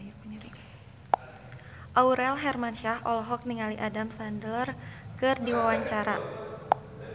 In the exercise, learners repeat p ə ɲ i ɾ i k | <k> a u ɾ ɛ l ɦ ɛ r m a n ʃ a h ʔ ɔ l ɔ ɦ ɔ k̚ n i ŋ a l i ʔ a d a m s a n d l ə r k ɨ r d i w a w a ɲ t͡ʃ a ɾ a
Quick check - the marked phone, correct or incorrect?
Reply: incorrect